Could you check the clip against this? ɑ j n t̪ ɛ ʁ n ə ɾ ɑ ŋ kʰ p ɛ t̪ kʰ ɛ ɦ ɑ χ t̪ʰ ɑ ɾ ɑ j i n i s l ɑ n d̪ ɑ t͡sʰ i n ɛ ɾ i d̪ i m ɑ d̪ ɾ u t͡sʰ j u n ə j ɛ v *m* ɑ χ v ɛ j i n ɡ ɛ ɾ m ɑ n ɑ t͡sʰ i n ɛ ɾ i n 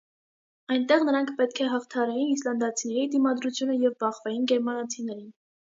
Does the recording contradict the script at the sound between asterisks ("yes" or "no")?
yes